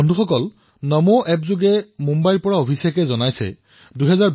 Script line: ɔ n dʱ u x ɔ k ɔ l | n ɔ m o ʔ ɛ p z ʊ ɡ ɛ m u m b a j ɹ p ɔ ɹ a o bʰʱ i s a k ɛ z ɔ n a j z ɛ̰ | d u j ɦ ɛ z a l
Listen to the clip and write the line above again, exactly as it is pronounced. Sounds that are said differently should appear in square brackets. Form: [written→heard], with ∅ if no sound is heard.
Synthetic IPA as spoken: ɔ n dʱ u x ɔ k ɔ l | n ɔ m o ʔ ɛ p z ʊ ɡ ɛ m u m b a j ɹ p ɔ ɹ a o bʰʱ i s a k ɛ z ɔ n a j [z→s] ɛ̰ | d u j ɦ ɛ z a [l→ɹ]